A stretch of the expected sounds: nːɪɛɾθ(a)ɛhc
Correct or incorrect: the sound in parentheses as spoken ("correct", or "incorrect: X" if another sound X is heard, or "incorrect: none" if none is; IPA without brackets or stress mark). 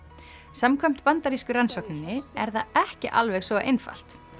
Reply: correct